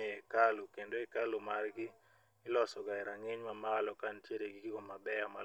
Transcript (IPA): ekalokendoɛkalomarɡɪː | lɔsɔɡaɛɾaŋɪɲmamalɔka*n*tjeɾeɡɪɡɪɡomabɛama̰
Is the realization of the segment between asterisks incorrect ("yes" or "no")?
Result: no